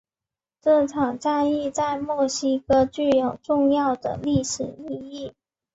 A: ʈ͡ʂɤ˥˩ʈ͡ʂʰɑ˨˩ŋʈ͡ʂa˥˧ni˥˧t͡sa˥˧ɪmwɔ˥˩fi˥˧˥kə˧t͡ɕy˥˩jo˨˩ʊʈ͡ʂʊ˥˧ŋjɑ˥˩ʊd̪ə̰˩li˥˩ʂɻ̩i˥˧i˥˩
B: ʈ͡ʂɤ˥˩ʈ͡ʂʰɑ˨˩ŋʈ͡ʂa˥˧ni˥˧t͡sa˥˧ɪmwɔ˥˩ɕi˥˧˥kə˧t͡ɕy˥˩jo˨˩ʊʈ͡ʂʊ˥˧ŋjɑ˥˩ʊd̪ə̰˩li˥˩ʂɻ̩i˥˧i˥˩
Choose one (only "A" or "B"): B